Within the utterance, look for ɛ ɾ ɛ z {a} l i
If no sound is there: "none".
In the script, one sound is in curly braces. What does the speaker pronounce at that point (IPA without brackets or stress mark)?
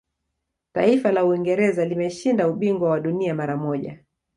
a